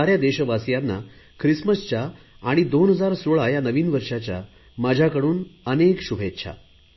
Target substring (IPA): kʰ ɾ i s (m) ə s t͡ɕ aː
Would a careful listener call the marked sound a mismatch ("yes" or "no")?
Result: no